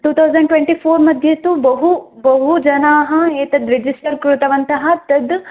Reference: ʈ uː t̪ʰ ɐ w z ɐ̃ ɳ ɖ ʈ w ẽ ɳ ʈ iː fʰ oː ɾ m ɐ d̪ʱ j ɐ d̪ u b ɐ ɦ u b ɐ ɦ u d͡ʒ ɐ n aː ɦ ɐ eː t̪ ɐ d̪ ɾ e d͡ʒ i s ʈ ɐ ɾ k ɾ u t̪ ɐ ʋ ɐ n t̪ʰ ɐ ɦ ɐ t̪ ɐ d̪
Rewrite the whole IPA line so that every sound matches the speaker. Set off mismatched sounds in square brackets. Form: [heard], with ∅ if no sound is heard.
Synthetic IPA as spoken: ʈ uː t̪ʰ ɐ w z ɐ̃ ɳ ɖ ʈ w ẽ ɳ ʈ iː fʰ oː ɾ m ɐ d̪ʱ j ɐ [t̪] u b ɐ ɦ u b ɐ ɦ u d͡ʒ ɐ n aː ɦ ɐ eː t̪ ɐ d̪ ɾ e d͡ʒ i s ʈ ɐ ɾ k ɾ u t̪ ɐ ʋ ɐ n [t̪] ɐ ɦ ɐ t̪ ɐ d̪